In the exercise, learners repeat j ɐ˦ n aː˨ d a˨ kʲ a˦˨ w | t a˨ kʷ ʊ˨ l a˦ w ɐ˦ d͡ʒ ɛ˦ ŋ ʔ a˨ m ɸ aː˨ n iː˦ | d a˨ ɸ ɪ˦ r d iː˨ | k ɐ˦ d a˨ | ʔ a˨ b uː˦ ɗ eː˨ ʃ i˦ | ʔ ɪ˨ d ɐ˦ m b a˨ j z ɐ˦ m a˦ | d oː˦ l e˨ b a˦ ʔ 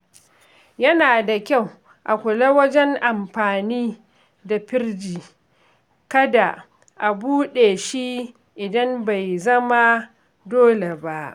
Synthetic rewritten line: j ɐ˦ n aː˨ d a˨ kʲ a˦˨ w | ʔ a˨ kʷ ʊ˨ l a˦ w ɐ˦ d͡ʒ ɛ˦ ŋ ʔ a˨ m ɸ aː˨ n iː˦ | d a˨ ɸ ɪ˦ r d͡ʒ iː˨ | k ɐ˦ d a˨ | ʔ a˨ b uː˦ ɗ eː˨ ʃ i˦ | ʔ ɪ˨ d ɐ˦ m b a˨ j z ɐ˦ m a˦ | d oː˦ l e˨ b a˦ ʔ